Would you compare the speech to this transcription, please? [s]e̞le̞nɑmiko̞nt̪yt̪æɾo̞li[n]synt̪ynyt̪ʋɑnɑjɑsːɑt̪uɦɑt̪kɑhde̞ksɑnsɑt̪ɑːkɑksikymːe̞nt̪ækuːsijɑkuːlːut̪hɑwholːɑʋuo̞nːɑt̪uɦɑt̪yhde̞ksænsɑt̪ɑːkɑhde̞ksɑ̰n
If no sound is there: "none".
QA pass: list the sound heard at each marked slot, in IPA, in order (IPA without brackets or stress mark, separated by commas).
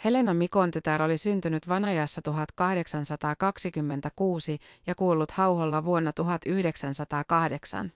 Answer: h, none